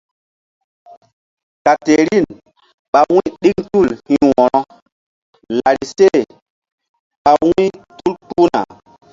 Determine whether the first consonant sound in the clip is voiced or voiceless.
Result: voiceless